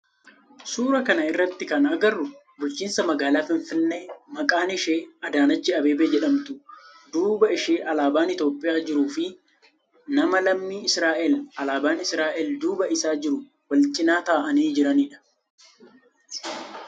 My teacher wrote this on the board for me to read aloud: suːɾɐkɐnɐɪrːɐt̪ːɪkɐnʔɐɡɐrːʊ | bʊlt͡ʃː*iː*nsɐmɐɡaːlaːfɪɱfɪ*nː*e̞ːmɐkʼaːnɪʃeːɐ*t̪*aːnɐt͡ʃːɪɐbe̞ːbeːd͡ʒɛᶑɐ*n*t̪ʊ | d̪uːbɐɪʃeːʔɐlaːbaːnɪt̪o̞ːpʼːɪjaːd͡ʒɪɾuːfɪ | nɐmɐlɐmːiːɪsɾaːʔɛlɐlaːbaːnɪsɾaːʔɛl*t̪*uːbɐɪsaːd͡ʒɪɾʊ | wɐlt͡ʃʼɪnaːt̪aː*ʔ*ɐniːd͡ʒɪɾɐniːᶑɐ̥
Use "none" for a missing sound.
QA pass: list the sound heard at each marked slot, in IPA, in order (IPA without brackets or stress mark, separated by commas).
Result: iː, nː, d̪, m, d̪, ʔ